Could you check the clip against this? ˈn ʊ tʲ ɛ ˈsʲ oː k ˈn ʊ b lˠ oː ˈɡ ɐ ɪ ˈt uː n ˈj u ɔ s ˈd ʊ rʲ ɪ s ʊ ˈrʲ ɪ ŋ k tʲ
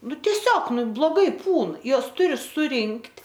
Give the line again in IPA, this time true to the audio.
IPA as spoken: ˈn ʊ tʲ ɛ ˈsʲ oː k ˈn ʊ b lˠ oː ˈɡ ɐ ɪ ˈp uː n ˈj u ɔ s ˈt ʊ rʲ ɪ s ʊ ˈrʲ ɪ ŋ k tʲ

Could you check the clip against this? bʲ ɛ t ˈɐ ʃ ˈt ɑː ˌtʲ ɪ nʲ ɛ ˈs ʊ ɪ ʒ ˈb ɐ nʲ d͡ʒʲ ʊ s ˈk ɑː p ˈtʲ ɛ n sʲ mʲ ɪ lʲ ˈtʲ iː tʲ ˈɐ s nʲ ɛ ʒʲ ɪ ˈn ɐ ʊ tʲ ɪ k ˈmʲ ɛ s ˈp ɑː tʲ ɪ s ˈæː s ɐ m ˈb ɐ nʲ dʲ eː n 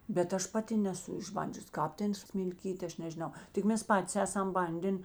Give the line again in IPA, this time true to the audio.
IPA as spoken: bʲ ɛ t ˈɐ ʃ ˈp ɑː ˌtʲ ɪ nʲ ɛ ˈs ʊ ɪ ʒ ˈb ɐ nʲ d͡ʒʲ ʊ s ˈk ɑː p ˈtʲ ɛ n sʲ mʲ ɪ lʲ ˈkʲ iː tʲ ˈɐ ʃ nʲ ɛ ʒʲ ɪ ˈn ɐ ʊ tʲ ɪ k ˈmʲ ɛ s ˈp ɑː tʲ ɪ s ˈæː s ɐ m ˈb ɐ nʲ dʲ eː n

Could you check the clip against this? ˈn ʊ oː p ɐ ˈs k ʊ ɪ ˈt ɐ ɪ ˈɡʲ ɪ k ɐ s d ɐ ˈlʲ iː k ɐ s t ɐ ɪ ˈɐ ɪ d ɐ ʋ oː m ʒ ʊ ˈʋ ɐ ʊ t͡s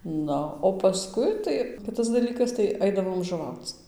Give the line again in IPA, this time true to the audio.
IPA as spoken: ˈn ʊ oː p ɐ ˈs k ʊ ɪ ˈt ɐ ɪ ˈkʲ ɪ t ɐ s d ɐ ˈlʲ iː k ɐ s t ɐ ɪ ˈɐ ɪ d ɐ ʋ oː m ʒ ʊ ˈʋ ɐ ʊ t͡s

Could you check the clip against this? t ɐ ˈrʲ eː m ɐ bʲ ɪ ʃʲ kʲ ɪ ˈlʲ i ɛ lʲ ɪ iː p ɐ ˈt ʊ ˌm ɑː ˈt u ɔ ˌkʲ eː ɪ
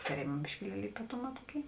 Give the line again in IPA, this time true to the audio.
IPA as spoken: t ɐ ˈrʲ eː m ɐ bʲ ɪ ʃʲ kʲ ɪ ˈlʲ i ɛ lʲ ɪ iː p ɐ ˈt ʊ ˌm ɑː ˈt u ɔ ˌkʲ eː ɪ

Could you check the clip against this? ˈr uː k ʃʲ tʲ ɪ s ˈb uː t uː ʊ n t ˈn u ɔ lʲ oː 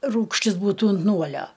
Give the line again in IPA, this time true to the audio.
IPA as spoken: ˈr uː k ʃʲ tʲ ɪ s ˈb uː t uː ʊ n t ˈn u ɔ lʲ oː

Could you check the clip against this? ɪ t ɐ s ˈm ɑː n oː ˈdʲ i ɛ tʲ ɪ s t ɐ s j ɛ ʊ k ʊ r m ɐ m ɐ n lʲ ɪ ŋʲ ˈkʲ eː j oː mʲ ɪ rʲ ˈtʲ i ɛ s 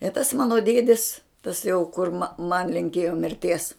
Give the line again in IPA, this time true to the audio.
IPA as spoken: ɪ t ɐ s ˈm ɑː n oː ˈdʲ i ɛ dʲ ɪ s t ɐ s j ɛ ʊ k ʊ r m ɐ m ɐ n lʲ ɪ ŋʲ ˈkʲ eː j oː mʲ ɪ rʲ ˈtʲ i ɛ s

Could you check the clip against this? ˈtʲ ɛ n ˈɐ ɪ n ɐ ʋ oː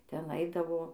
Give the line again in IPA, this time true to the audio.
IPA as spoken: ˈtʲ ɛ n ˈɐ ɪ d ɐ ʋ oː

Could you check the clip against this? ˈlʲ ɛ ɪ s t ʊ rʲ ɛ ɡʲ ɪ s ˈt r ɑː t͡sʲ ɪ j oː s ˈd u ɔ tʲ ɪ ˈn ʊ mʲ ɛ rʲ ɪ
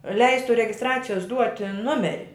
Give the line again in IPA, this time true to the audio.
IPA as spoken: ˈlʲ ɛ ɪ s t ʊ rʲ ɛ ɡʲ ɪ s ˈt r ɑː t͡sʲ ɪ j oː s ˈd u ɔ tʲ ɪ ˈn ʊ mʲ ɛ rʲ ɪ

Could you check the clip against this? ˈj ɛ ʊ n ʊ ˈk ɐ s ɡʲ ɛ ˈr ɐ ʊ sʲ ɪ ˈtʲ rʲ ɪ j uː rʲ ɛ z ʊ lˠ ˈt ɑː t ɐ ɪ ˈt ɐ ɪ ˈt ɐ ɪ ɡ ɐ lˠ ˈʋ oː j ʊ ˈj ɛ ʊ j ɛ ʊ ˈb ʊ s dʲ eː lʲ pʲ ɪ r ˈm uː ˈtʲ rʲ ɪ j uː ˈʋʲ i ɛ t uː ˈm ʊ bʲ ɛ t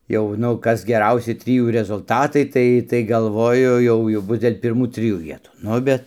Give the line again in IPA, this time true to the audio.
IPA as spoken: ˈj ɛ ʊ n ʊ ˈk ɐ s ɡʲ ɛ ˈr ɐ ʊ sʲ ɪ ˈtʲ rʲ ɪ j uː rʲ ɛ z ʊ lˠ ˈt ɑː t ɐ ɪ ˈt ɐ ɪ ˈt ɐ ɪ ɡ ɐ lˠ ˈʋ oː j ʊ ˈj ɛ ʊ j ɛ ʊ ˈb ʊ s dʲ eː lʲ pʲ ɪ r ˈm uː ˈtʲ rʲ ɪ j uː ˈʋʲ i ɛ t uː ˈn ʊ bʲ ɛ t

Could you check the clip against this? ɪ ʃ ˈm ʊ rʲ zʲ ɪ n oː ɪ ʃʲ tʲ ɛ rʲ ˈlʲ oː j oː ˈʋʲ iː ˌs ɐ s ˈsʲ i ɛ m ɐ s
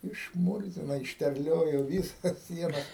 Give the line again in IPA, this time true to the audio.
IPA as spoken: ɪ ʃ ˈm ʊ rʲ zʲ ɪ n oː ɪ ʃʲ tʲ ɛ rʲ ˈlʲ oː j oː ˈʋʲ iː ˌs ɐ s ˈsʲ i ɛ n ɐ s

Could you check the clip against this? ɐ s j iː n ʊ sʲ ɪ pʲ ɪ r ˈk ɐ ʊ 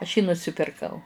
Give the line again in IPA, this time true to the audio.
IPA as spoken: ɐ ʃ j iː n ʊ sʲ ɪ pʲ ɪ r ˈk ɐ ʊ

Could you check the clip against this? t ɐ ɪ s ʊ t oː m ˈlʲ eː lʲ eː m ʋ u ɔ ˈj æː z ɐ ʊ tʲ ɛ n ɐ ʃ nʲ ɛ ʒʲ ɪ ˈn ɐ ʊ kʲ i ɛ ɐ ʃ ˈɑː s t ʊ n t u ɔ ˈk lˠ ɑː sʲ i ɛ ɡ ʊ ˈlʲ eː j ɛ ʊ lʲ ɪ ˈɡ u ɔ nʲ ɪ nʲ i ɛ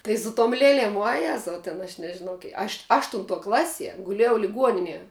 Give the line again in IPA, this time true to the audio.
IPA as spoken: t ɐ ɪ s ʊ t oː m ˈlʲ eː lʲ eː m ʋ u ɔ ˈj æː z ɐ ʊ tʲ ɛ n ɐ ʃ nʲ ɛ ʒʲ ɪ ˈn ɐ ʊ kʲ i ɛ ɐ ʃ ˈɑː ʃ t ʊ n t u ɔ ˈk lˠ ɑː sʲ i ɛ ɡ ʊ ˈlʲ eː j ɛ ʊ lʲ ɪ ˈɡ u ɔ nʲ ɪ nʲ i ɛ

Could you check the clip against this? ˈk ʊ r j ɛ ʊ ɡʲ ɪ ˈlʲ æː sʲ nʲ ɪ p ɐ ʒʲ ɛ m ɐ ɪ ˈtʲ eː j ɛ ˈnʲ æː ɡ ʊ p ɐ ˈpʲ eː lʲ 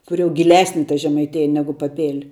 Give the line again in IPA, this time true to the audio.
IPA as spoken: ˈk ʊ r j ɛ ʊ ɡʲ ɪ ˈlʲ æː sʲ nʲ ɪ t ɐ ʒʲ ɛ m ɐ ɪ ˈtʲ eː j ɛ ˈnʲ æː ɡ ʊ p ɐ ˈpʲ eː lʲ

